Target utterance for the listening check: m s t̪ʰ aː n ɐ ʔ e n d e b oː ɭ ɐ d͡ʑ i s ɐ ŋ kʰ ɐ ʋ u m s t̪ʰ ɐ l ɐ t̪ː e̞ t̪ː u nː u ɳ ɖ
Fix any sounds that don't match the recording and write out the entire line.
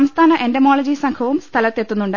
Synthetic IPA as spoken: m s t̪ʰ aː n ɐ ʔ e n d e m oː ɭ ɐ d͡ʑ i s ɐ ŋ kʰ ɐ ʋ u m s t̪ʰ ɐ l ɐ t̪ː e̞ t̪ː u nː u ɳ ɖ